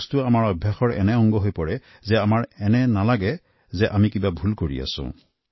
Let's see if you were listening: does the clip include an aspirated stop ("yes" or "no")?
no